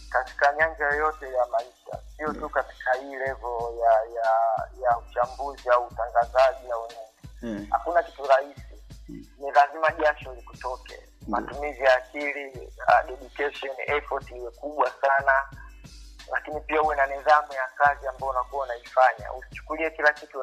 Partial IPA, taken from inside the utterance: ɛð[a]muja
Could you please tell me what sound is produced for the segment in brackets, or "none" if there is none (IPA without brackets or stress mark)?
a